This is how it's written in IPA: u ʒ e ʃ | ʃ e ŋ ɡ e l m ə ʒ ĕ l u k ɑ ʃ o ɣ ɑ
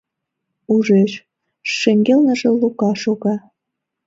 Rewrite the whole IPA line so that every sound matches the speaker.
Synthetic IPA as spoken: u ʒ e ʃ | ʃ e ŋ ɡ e l n ə ʒ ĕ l u k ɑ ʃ o ɣ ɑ